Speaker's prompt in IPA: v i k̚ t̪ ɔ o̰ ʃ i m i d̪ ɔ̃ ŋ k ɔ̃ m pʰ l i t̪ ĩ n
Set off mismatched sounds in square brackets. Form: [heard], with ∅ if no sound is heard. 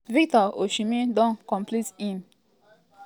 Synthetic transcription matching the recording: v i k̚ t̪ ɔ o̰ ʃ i m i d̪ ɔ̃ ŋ k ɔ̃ m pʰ l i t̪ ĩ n